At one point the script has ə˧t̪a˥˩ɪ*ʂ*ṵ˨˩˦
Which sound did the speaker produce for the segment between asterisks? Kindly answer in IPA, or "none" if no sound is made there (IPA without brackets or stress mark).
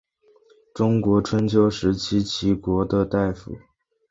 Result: f